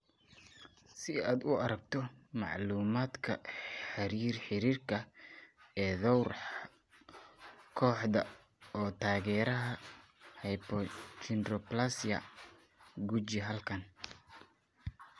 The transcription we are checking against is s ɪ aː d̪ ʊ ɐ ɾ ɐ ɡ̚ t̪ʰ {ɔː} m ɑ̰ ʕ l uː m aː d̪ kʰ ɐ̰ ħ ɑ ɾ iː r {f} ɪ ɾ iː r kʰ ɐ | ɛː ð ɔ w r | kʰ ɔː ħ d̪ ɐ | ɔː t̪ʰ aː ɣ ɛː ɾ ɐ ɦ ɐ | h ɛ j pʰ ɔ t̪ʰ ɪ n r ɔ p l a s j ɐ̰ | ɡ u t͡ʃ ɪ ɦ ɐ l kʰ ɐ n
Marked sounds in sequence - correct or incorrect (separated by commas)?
incorrect, incorrect